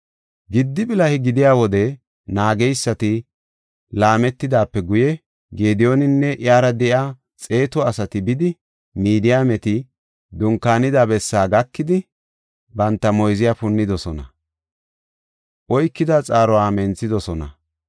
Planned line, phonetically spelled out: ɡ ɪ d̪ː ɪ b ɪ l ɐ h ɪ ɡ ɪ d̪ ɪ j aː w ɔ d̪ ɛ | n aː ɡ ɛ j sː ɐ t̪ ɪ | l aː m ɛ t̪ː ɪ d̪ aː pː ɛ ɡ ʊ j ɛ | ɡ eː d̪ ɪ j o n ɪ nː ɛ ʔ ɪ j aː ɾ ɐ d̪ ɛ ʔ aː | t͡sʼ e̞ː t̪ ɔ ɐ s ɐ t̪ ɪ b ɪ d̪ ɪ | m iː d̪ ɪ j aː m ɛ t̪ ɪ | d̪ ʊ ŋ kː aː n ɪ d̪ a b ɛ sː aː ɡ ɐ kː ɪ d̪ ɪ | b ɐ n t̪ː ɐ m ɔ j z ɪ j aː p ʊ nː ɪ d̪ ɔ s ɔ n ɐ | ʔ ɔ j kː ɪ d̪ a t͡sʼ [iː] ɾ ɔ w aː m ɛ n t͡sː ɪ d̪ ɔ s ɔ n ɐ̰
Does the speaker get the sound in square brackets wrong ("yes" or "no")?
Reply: yes